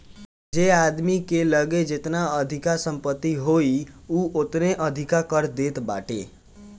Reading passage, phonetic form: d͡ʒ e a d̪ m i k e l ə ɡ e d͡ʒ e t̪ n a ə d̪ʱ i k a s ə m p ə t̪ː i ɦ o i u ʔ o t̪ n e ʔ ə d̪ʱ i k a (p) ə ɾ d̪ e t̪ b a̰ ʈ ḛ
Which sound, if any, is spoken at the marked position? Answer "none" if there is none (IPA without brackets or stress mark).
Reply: k